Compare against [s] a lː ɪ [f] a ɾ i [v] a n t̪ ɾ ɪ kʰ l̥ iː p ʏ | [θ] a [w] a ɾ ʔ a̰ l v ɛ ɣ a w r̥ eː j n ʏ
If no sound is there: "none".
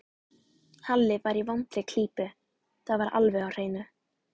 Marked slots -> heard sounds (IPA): h, v, v, θ, v

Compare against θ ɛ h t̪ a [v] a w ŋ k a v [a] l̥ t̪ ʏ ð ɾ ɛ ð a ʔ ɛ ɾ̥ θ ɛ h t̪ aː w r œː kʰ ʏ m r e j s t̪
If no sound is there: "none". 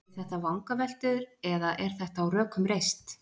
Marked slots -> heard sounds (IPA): v, ɛ

